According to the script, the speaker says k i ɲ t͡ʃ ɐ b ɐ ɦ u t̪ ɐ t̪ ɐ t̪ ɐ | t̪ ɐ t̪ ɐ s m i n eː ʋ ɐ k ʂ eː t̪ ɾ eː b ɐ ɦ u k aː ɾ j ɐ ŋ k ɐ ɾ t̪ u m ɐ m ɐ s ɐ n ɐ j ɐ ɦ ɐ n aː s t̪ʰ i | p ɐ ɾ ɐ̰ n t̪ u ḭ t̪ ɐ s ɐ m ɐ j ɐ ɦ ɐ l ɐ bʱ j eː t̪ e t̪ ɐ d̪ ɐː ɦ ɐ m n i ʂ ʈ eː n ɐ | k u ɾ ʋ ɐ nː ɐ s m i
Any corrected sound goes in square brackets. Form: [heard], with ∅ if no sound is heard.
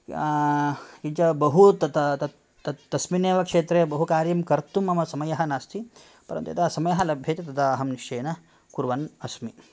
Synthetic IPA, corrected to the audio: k i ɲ t͡ʃ ɐ b ɐ ɦ u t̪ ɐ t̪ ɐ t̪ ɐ | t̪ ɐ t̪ ɐ s m i n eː ʋ ɐ k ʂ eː t̪ ɾ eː b ɐ ɦ u k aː ɾ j ɐ [m] k ɐ ɾ t̪ u m ɐ m ɐ s ɐ [m] ɐ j ɐ ɦ ɐ n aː s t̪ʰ i | p ɐ ɾ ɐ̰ n t̪ u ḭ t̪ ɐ s ɐ m ɐ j ɐ ɦ ɐ l ɐ bʱ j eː t̪ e t̪ ɐ d̪ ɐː ɦ ɐ m n i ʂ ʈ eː n ɐ | k u ɾ ʋ ɐ [n] ɐ s m i